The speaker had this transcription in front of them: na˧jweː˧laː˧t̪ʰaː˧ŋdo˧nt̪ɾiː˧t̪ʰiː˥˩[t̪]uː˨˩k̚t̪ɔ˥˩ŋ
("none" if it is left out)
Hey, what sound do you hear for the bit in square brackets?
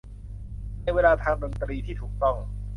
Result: t̪ʰ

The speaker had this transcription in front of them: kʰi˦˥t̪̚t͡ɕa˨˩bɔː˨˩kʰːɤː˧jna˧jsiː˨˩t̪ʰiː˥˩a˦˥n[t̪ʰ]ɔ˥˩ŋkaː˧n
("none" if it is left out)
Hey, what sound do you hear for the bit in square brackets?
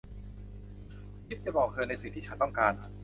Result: t̪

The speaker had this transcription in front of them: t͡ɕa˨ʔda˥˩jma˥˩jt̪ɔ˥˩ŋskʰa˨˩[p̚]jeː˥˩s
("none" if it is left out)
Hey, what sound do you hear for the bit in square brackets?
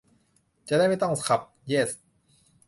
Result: p̚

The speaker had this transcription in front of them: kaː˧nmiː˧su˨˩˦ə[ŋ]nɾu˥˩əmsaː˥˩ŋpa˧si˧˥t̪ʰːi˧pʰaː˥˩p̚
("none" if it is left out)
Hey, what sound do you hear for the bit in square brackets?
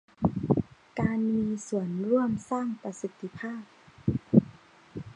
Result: none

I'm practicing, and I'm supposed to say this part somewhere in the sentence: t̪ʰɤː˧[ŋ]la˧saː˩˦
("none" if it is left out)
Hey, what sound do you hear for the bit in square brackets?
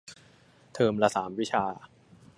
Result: m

